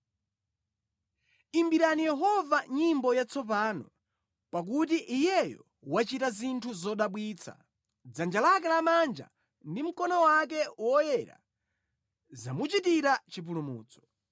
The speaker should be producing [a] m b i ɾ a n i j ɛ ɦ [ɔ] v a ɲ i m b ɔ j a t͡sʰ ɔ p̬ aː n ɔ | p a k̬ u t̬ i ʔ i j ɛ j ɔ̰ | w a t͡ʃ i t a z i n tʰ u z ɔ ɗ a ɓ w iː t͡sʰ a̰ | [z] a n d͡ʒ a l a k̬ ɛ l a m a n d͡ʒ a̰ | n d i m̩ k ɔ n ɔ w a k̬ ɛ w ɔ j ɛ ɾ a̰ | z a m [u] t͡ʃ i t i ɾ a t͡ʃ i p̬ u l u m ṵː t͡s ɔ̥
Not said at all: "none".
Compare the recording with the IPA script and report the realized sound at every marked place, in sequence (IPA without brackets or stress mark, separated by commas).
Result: i, ɔ, d͡z, u